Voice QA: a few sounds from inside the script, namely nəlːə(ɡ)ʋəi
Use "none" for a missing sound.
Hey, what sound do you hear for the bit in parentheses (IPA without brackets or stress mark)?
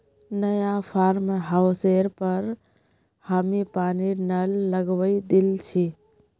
ɡ